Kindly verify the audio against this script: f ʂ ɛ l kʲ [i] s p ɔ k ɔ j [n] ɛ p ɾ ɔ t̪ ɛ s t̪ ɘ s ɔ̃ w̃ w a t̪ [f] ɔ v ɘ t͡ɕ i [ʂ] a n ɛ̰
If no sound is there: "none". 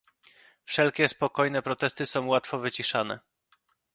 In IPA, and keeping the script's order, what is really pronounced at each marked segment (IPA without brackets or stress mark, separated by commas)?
ɛ, n, f, ʂ